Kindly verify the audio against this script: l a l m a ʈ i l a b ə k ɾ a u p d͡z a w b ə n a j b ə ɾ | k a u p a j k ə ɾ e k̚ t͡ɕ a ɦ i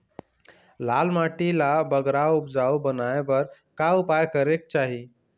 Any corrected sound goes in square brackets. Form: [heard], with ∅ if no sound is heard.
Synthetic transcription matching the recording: l a l m a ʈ i l a b ə [ɡ] ɾ a u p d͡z a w b ə n a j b ə ɾ | k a u p a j k ə ɾ e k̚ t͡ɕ a ɦ i